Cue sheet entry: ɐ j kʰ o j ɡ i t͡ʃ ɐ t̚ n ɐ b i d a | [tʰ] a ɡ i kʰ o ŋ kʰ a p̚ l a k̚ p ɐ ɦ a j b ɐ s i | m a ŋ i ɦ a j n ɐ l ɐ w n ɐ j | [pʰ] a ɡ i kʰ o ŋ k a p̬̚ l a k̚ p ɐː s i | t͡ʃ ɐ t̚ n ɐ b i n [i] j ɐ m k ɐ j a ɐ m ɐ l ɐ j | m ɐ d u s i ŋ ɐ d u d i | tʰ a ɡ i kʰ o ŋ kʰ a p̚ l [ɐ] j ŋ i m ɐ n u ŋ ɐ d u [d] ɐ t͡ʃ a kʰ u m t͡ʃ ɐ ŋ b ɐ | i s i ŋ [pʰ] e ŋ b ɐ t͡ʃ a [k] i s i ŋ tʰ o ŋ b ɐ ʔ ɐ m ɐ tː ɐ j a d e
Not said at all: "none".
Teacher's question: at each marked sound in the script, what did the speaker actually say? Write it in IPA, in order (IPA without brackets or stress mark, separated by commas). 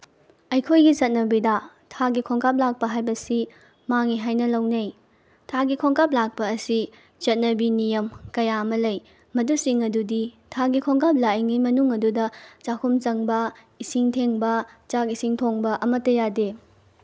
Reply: tʰ, tʰ, i, a, d, tʰ, k